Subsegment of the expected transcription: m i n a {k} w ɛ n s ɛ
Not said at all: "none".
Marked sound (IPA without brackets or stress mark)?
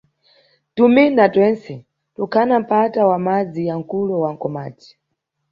t